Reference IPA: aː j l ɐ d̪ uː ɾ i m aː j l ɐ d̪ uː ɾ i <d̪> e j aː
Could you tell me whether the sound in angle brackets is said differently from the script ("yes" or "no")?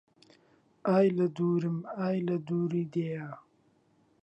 no